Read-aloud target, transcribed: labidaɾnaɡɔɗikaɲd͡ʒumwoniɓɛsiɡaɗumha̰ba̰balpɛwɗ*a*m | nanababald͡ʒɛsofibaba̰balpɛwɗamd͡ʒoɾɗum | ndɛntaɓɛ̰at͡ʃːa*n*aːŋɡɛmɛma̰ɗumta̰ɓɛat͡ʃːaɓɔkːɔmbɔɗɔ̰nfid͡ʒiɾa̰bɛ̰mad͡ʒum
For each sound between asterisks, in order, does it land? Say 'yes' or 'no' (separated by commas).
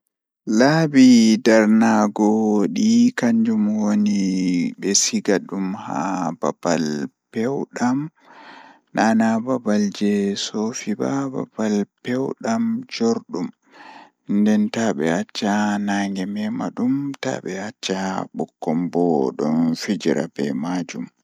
yes, yes